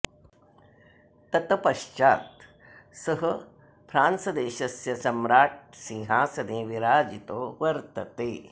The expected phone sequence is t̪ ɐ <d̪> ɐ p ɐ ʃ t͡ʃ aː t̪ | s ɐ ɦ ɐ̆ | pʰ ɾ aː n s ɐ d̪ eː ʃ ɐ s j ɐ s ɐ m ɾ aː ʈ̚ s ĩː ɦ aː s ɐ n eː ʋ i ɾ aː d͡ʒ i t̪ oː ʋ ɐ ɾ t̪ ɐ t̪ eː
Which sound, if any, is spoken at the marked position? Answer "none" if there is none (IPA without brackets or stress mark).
t̪